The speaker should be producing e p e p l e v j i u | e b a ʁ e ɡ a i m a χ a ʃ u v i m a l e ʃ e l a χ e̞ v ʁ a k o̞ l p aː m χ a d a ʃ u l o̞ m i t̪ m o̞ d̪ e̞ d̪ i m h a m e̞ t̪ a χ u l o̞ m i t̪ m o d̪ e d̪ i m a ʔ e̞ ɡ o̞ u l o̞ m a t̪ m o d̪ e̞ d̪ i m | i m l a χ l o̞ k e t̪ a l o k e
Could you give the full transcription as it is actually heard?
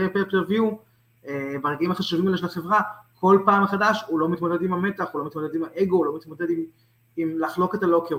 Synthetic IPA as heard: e p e p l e v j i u | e b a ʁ e ɡ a i m a χ a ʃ u v i m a l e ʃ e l a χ e̞ v ʁ a k o̞ l p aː m χ a d a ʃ u l o̞ m i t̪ m o̞ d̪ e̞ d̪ i m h a m e̞ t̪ a χ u l o̞ m i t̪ m o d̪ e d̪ i m a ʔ e̞ ɡ o̞ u l o̞ m i t̪ m o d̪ e̞ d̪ i m | i m l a χ l o̞ k e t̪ a l o k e